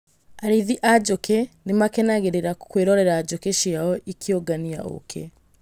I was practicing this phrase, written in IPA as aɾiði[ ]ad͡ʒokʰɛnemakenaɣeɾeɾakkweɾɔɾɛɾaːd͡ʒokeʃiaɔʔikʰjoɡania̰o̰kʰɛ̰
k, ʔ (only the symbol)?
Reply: ʔ